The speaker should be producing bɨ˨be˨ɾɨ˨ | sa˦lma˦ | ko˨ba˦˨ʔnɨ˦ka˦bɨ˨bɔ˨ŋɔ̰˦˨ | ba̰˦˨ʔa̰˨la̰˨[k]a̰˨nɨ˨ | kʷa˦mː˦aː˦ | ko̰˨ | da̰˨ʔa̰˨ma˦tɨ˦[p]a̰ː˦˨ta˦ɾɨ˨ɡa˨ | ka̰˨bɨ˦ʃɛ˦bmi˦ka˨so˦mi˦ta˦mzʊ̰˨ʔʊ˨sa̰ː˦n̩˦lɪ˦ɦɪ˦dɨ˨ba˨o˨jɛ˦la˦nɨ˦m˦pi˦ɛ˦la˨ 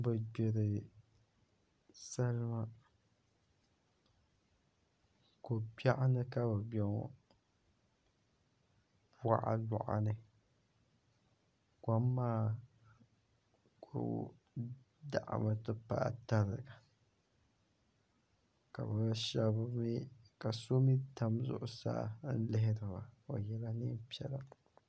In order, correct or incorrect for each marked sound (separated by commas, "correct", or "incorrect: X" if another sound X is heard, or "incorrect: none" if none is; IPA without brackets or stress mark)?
incorrect: ʔ, correct